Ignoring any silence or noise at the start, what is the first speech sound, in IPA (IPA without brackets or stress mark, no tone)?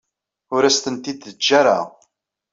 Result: ʊ